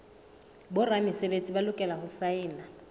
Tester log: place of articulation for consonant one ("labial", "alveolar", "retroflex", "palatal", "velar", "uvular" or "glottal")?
labial